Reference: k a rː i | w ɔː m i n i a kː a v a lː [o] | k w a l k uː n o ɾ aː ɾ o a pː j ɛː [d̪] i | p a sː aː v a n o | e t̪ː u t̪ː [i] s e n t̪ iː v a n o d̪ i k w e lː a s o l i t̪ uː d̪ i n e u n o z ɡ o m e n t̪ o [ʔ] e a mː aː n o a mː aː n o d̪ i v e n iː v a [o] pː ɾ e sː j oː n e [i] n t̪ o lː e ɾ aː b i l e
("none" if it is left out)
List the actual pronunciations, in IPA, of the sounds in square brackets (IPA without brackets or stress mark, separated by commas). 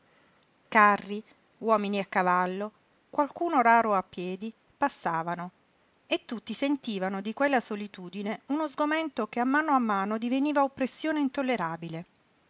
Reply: o, d̪, i, k, o, i